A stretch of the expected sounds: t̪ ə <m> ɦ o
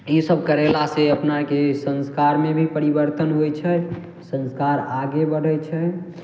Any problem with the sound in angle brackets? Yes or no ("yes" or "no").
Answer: yes